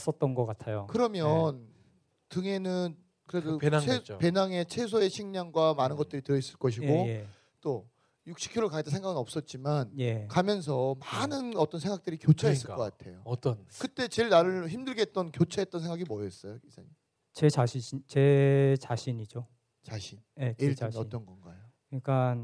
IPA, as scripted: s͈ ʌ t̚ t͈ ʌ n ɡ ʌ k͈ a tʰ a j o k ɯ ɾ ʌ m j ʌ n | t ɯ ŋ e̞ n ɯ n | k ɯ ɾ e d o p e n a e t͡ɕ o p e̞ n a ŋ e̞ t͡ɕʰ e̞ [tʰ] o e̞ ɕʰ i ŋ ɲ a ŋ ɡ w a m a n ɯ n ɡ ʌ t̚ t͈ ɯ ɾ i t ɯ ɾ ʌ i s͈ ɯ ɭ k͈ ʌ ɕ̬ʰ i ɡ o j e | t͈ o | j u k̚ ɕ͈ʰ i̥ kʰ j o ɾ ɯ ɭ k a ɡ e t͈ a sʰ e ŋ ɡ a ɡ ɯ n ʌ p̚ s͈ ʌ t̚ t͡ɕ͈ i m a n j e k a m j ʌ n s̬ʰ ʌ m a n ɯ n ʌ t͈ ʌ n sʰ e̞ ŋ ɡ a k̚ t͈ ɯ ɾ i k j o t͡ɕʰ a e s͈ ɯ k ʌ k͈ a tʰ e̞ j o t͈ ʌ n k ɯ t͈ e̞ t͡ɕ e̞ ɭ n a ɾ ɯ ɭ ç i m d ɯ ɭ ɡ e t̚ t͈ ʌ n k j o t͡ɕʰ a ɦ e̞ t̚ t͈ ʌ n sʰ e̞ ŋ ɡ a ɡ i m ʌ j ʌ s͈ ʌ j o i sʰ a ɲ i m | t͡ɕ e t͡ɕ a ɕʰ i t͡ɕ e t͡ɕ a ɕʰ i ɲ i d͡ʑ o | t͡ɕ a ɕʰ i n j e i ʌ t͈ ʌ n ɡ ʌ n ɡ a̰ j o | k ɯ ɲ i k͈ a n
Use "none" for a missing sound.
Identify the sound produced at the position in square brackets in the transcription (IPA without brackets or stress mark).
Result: sʰ